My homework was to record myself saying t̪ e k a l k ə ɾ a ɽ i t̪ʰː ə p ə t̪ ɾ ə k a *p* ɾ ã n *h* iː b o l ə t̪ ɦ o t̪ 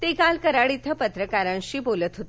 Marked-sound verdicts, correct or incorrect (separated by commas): incorrect, incorrect